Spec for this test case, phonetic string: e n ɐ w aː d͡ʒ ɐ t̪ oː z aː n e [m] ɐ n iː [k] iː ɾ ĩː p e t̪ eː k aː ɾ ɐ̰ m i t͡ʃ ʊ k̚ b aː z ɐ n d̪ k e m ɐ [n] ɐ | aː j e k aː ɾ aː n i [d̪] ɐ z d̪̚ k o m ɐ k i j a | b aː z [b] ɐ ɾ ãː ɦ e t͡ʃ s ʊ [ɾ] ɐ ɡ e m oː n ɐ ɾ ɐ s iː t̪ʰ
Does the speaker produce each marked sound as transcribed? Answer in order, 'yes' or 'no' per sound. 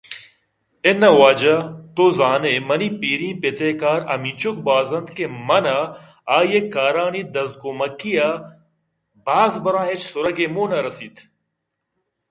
yes, no, yes, yes, yes, yes

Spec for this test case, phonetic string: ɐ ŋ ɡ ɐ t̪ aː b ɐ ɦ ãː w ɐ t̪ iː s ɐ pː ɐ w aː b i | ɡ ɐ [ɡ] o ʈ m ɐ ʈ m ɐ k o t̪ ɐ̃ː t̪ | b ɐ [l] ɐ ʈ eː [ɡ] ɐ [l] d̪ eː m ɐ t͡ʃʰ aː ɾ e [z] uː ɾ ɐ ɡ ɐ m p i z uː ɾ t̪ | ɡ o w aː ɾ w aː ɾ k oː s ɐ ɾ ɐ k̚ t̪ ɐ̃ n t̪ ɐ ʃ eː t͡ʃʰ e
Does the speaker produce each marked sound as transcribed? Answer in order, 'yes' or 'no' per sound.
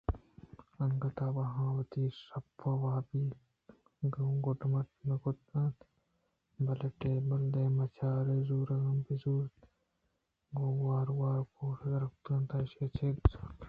yes, yes, no, yes, yes

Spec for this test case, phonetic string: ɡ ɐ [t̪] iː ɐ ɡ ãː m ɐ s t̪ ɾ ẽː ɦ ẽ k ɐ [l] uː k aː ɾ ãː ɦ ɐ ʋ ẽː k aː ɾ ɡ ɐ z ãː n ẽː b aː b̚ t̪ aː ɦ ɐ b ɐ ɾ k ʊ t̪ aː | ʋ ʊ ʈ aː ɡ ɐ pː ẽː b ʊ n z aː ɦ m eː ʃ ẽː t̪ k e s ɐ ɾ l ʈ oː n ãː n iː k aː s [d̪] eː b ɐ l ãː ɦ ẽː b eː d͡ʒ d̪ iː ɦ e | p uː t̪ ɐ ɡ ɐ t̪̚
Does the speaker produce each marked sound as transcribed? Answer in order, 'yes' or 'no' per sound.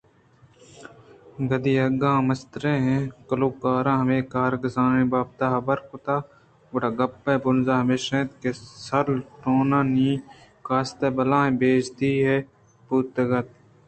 no, yes, no

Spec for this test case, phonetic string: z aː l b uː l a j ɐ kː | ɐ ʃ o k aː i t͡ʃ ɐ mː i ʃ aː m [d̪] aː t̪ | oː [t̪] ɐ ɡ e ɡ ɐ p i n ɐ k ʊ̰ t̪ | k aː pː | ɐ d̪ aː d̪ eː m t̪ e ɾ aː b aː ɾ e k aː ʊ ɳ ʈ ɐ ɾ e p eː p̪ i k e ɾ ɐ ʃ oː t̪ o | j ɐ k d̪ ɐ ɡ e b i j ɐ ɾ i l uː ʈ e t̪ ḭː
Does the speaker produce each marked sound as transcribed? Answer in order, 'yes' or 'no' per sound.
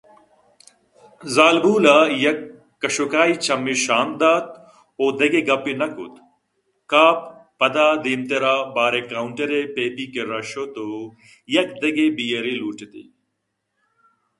yes, no

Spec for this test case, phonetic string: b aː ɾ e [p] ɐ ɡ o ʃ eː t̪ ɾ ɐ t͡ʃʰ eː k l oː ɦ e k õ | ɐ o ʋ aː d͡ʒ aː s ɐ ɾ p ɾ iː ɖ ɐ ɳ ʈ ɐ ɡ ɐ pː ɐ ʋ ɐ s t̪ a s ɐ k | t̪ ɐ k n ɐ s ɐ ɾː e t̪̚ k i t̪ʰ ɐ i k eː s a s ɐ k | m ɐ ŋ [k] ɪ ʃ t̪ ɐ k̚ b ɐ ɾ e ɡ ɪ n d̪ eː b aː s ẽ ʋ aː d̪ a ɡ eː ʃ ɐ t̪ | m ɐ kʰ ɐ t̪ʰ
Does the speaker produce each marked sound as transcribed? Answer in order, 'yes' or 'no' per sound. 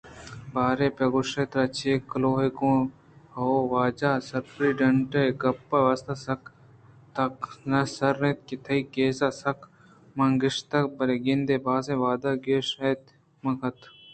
yes, no

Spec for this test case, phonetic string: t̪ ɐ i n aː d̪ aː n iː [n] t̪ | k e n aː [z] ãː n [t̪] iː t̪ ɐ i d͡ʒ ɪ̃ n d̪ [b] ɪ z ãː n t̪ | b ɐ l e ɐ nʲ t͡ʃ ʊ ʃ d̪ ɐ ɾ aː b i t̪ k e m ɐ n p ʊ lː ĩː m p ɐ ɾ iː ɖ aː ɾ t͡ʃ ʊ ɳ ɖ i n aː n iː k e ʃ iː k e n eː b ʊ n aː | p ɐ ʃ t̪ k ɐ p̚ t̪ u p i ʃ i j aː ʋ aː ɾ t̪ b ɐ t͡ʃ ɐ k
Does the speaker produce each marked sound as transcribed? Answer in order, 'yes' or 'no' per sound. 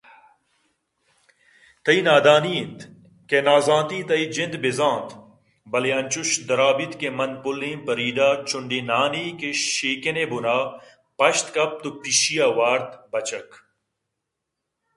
yes, yes, yes, yes

